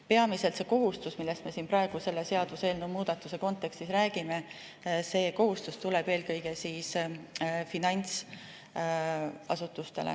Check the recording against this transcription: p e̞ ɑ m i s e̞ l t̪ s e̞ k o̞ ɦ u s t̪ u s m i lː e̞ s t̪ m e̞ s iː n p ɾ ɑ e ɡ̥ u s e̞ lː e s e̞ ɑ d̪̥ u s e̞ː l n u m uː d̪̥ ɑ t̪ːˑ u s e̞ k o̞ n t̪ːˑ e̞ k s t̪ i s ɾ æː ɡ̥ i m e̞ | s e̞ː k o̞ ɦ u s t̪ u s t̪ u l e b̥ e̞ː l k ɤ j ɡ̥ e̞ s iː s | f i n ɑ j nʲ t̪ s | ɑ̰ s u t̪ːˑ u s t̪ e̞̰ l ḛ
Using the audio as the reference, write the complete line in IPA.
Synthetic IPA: p e̞ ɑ m i s e̞ l t̪ s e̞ k o̞ ɦ u s t̪ u s m i lː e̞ s t̪ m e̞ s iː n p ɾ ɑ e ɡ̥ u s e̞ lː e s e̞ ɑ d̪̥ u s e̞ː l n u m uː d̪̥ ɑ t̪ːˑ u s e̞ k o̞ n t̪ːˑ e̞ k s t̪ i s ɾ æː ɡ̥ i m e̞ | s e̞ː k o̞ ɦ u s t̪ u s t̪ u l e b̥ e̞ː l k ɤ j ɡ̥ e̞ s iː s | f i n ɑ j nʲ t̪ s | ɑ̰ s u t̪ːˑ u s t̪ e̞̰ l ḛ